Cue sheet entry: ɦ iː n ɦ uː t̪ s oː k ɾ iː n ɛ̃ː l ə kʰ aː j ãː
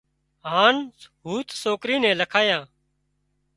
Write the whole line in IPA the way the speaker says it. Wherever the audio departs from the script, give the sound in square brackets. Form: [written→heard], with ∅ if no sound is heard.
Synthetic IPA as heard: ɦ [iː→aː] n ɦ uː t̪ s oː k ɾ iː n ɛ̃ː l ə kʰ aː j ãː